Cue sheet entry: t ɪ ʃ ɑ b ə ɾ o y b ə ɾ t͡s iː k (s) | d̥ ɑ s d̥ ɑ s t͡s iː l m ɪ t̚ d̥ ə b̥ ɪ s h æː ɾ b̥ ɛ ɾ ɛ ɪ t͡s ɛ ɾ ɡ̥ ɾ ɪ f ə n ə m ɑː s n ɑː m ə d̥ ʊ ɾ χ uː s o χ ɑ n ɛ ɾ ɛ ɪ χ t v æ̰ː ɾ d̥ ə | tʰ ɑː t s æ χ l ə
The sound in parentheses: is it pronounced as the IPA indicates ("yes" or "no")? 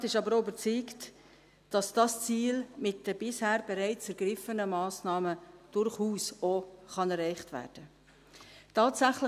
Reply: no